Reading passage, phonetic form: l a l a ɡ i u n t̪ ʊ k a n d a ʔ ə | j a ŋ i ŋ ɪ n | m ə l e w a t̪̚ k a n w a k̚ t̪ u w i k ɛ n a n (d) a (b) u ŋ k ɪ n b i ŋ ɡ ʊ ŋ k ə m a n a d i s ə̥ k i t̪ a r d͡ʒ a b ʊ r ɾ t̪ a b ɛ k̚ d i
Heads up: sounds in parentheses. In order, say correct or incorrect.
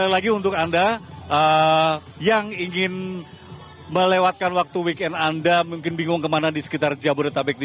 correct, incorrect: m

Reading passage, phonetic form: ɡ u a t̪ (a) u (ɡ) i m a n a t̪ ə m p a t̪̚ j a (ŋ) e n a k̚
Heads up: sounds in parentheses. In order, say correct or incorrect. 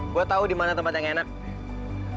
correct, incorrect: d, correct

